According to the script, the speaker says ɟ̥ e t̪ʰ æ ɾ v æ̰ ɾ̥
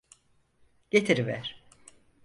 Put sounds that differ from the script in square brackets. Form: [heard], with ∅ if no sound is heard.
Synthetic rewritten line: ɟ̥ e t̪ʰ [i] ɾ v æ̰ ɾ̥

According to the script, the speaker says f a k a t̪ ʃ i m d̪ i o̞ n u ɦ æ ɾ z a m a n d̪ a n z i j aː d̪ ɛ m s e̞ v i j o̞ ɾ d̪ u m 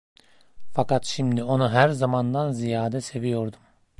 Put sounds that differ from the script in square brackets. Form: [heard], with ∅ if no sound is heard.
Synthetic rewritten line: f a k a t̪ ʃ i m d̪ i o̞ n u ɦ æ ɾ z a m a n d̪ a n z i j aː d̪ ɛ [∅] s e̞ v i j o̞ ɾ d̪ u m

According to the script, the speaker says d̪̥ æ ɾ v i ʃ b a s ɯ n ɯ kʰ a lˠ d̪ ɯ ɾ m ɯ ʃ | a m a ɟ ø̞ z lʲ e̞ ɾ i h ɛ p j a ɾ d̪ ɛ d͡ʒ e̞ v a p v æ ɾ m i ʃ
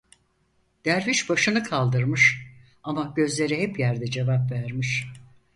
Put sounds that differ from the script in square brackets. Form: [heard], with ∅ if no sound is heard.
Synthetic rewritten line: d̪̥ æ ɾ v i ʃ b a [ʃ] ɯ n ɯ kʰ a lˠ d̪ ɯ ɾ m ɯ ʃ | a m a ɟ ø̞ z lʲ e̞ ɾ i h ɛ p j [æ] ɾ d̪ ɛ d͡ʒ e̞ v a p v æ ɾ m i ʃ

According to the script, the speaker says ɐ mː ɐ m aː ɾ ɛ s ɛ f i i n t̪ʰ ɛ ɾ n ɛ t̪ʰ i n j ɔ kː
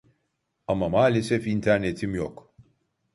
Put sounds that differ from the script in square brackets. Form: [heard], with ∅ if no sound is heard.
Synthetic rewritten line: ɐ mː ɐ m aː [l] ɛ s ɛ f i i n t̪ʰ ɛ ɾ n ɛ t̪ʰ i [m] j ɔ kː

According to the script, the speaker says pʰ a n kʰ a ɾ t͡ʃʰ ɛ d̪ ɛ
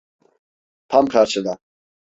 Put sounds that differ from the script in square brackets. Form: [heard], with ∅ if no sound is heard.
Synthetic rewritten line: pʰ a [m] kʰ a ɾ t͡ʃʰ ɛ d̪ [a]

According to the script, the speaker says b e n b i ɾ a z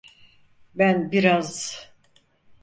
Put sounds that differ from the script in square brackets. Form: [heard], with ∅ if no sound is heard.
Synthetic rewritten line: b [æ] n b i ɾ a z

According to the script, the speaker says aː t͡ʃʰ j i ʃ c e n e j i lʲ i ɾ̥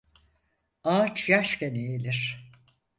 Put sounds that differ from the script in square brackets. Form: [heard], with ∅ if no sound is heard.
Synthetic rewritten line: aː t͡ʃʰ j [a] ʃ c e n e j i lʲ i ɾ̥

